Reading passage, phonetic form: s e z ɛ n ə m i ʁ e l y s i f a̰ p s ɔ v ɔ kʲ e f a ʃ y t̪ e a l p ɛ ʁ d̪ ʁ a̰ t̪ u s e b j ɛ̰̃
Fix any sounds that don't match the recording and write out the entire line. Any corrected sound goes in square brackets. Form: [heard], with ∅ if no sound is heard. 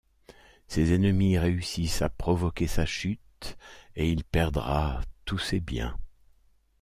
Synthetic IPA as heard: s e z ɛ n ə m i ʁ e [∅] y s i [s] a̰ p [χ] ɔ v ɔ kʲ e [s] a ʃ y t̪ e [i] l p ɛ ʁ d̪ ʁ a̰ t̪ u s e b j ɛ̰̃

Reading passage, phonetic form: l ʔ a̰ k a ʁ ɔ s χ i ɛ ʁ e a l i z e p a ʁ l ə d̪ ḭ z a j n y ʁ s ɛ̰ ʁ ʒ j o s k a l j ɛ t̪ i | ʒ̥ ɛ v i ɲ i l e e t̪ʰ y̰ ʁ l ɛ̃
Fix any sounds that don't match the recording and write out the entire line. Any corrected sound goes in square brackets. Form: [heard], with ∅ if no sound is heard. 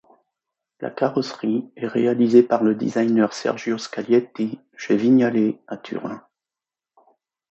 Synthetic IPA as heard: l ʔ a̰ k a ʁ ɔ s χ i ɛ ʁ e a l i z e p a ʁ l ə d̪ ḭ z a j n [œ] ʁ s ɛ̰ ʁ ʒ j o s k a l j ɛ t̪ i | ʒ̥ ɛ v i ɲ [a] l e [a] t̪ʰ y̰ ʁ l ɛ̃

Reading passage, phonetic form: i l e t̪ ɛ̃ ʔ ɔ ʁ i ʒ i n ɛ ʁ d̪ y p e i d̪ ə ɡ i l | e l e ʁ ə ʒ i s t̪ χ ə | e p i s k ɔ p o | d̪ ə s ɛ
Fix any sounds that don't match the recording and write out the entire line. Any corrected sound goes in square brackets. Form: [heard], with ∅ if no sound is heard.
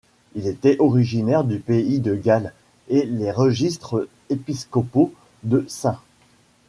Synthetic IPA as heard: i l e t̪ [ɛ] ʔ ɔ ʁ i ʒ i n ɛ ʁ d̪ y p e i d̪ ə ɡ [a] l | e l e ʁ ə ʒ i s t̪ χ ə | e p i s k ɔ p o | d̪ ə s [ɛ̃]

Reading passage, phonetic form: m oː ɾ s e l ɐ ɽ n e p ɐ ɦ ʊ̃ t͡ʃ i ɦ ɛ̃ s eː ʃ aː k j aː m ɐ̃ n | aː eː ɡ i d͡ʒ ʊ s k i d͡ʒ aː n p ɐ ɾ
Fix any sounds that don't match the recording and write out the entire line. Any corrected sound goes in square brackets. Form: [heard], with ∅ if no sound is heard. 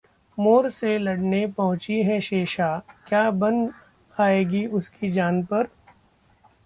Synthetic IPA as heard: m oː ɾ s e l ɐ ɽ n e p ɐ ɦ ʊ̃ t͡ʃ i ɦ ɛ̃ [ʃ] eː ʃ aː k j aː [b] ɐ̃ n | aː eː ɡ i [∅] ʊ s k i d͡ʒ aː n p ɐ ɾ

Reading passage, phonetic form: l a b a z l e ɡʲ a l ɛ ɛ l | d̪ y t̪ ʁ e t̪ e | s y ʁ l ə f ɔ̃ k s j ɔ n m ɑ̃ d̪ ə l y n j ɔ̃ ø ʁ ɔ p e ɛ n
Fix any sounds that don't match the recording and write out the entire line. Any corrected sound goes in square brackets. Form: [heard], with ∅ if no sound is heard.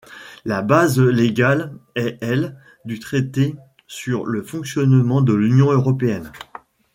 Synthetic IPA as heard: l a b a z l e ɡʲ a l ɛ ɛ l | d̪ y t̪ [χ] e t̪ e | s y ʁ l ə f ɔ̃ k s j ɔ n m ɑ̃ d̪ ə l y n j ɔ̃ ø ʁ ɔ p e ɛ n

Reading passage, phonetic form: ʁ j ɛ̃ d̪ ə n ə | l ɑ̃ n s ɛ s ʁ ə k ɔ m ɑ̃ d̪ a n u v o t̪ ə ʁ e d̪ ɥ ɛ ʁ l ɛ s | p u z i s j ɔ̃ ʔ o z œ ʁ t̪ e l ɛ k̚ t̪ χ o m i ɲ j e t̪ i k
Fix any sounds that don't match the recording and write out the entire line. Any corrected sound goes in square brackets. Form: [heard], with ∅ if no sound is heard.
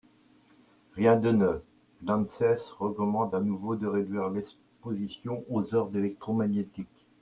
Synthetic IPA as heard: ʁ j ɛ̃ d̪ ə n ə | l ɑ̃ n s ɛ s ʁ ə k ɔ m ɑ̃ d̪ a n u v o [d̪] ə ʁ e d̪ ɥ [i] ʁ l ɛ s | p [o] z i s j ɔ̃ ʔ o z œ ʁ [d̪] e l ɛ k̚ t̪ χ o m [a] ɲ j e t̪ i k

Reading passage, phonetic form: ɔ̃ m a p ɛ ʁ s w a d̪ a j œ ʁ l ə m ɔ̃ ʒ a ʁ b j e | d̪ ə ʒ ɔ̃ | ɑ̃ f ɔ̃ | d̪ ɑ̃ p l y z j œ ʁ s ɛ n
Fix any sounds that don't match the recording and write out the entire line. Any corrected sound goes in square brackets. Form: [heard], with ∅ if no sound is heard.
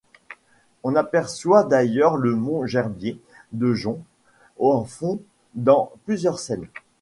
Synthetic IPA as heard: ɔ̃ [n] a p ɛ ʁ s w a d̪ a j œ ʁ l ə m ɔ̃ ʒ [ɛ] ʁ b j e | d̪ ə ʒ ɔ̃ | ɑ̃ f ɔ̃ | d̪ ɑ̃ p l y z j œ ʁ s ɛ n

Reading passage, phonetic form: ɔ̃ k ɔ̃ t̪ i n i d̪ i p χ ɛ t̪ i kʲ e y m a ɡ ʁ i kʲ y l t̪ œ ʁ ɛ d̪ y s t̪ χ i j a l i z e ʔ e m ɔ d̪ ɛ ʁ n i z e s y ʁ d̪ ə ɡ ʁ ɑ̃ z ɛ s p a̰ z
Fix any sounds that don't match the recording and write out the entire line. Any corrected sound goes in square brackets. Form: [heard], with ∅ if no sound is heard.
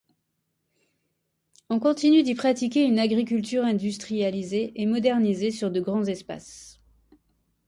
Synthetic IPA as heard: ɔ̃ k ɔ̃ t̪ i n [y] d̪ i p χ [a] t̪ i kʲ e y [n] a ɡ ʁ i kʲ y l t̪ [y] ʁ [ɛ̃] d̪ y s t̪ χ i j a l i z e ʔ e m ɔ d̪ ɛ ʁ n i z e s y ʁ d̪ ə ɡ ʁ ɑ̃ z ɛ s p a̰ [s]

